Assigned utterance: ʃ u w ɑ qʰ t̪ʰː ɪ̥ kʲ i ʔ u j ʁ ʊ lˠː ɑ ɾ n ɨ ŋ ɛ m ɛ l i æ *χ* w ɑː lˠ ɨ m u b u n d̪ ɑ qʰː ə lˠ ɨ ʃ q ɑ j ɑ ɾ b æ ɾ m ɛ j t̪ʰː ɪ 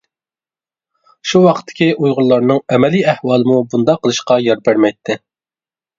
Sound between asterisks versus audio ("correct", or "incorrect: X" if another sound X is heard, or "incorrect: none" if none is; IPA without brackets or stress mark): incorrect: h